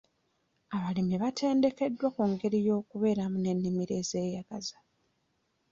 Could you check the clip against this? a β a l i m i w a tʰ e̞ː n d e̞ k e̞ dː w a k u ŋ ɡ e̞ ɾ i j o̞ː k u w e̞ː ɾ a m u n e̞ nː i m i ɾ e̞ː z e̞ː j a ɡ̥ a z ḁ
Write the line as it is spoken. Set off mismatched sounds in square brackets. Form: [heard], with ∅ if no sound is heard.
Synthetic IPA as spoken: a β a l i m i [β] a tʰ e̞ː n d e̞ k e̞ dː w a k u ŋ ɡ e̞ ɾ i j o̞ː k u [β] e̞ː ɾ a m u n e̞ nː i m i ɾ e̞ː z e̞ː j a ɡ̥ a z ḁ